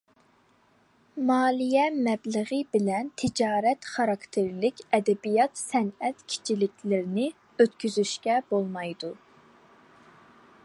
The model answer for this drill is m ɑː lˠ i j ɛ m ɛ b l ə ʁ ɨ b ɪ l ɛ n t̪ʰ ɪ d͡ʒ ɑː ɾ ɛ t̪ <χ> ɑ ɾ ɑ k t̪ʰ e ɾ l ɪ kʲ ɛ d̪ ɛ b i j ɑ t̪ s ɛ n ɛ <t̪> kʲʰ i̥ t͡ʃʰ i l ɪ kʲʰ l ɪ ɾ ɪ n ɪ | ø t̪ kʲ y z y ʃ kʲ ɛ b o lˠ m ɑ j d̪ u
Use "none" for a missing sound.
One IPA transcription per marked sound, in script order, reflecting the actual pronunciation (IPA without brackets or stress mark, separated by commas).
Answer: χ, t̪